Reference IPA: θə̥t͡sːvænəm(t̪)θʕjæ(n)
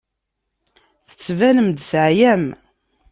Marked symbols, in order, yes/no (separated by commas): no, no